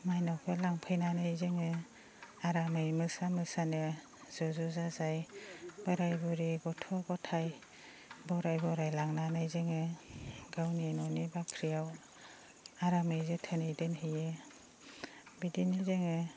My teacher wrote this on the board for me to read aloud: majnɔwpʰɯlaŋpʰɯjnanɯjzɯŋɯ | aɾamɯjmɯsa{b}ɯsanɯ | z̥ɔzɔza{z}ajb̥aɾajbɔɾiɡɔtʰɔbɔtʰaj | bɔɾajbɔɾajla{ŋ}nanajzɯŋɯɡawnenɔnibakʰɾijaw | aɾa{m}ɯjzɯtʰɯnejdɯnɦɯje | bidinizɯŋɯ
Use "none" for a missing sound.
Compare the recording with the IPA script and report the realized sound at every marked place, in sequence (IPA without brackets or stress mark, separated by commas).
m, z, ŋ, m